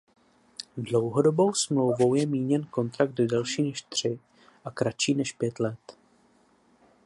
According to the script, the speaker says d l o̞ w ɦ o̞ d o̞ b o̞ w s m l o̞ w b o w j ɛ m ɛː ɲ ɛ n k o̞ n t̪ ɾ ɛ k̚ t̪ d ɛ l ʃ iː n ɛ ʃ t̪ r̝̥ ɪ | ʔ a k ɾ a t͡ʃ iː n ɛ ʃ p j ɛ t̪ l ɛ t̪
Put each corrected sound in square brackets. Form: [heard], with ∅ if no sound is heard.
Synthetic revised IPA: d l o̞ w ɦ o̞ d o̞ b o̞ w s m l o̞ w [v] o w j ɛ m [iː] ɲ ɛ n k o̞ n t̪ ɾ [a] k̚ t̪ d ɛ l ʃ iː n ɛ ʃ t̪ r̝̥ ɪ | ʔ a k ɾ a t͡ʃ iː n ɛ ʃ p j ɛ t̪ l ɛ t̪

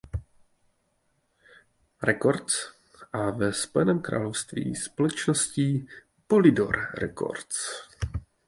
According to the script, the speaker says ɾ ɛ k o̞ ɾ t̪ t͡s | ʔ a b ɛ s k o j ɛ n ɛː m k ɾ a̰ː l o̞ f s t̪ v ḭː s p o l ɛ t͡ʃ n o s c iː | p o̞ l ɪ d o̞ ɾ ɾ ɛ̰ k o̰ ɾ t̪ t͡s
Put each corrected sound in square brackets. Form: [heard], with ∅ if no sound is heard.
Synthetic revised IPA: ɾ ɛ k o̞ ɾ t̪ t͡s | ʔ a [v] ɛ s [p] o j ɛ n ɛː m k ɾ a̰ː l o̞ f s t̪ v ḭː s p o l ɛ t͡ʃ n o s c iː | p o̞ l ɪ d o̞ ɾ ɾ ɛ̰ k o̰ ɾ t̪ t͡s

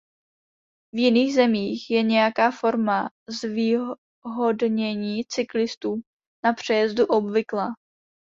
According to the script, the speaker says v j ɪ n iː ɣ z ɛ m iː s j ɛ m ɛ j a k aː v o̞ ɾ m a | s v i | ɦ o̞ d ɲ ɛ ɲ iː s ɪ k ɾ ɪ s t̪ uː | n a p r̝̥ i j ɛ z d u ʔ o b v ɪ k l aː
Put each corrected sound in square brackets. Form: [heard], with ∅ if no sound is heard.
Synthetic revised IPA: v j ɪ n iː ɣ z ɛ m iː [x] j ɛ [ɲ] ɛ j a k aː [f] o̞ ɾ m a | [z] v i | ɦ o̞ d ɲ ɛ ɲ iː [t͡s] ɪ k [l] ɪ s t̪ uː | n a p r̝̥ [ɛ] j ɛ z d u ʔ o b v ɪ k l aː

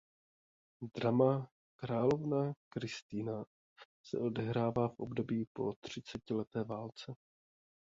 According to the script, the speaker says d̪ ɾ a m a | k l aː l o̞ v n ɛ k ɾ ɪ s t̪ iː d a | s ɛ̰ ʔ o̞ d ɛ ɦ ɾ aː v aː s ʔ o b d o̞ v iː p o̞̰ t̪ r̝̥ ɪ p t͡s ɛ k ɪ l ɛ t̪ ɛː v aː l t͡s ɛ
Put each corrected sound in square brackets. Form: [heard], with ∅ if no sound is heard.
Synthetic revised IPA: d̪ ɾ a m a | k [ɾ] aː l o̞ v n [a] k ɾ ɪ s t̪ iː [n] a | s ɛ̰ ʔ o̞ d ɛ ɦ ɾ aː v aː [f] ʔ o b d o̞ [b] iː p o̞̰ t̪ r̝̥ ɪ [∅] t͡s ɛ [c] ɪ l ɛ t̪ ɛː v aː l t͡s ɛ

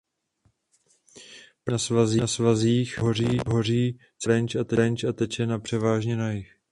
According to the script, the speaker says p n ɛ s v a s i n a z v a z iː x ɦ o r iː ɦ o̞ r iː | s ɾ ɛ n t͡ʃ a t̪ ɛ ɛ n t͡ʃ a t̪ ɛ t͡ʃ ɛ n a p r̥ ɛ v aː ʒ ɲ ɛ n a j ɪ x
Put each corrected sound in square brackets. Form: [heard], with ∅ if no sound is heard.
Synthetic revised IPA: p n [a] s v a [z] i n a [s] v a z iː x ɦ o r iː ɦ o̞ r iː | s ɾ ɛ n t͡ʃ a t̪ ɛ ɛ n t͡ʃ a t̪ ɛ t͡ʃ ɛ n a p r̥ ɛ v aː ʒ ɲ ɛ n a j ɪ x

